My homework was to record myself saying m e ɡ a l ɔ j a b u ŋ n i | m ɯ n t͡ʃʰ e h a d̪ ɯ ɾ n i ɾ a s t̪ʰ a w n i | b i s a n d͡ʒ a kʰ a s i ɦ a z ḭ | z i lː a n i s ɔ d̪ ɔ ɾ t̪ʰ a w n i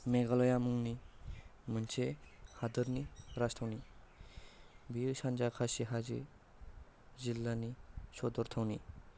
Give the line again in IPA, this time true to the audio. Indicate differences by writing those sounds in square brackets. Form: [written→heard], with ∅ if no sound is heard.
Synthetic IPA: m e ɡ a l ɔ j a [b→m] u ŋ n i | m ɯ n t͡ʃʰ e h a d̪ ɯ ɾ n i ɾ a s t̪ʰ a w n i | b i s a n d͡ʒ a kʰ a s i ɦ a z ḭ | z i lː a n i s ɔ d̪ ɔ ɾ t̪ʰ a w n i